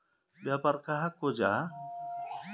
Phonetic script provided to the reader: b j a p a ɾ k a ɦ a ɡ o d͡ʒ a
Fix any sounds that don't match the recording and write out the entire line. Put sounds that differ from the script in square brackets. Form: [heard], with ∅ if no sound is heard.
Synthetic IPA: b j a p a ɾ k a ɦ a [k] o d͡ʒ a